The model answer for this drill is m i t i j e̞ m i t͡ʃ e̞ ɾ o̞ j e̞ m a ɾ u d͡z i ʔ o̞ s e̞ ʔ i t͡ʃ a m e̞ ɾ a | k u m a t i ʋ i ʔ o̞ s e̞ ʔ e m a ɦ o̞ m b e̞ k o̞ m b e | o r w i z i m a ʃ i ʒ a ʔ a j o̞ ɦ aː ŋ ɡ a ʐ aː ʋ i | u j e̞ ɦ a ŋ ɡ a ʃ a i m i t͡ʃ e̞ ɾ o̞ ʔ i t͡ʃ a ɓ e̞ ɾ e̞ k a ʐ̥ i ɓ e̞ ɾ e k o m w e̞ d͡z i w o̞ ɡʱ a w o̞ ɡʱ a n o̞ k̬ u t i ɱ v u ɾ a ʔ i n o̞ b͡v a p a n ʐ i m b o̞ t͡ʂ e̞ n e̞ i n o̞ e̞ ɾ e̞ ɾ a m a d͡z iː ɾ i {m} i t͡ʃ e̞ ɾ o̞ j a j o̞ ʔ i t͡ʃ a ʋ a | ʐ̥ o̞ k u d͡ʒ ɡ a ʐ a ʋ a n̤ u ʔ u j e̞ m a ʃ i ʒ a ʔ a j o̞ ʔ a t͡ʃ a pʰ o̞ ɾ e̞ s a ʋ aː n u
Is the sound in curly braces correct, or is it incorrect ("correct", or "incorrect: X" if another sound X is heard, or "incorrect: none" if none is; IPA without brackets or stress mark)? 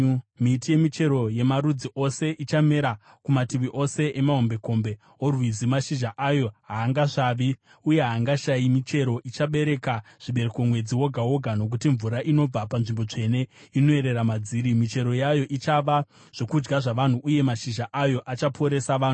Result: correct